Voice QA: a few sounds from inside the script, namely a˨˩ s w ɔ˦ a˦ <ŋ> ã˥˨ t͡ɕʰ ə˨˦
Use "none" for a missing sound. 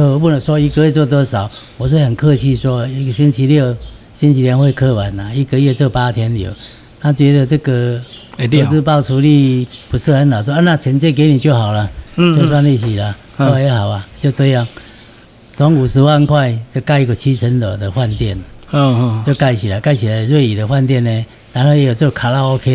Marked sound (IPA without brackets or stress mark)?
n